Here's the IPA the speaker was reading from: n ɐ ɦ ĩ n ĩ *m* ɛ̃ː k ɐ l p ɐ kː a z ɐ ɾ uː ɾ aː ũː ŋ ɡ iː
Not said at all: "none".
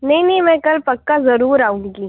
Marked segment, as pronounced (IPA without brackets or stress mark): m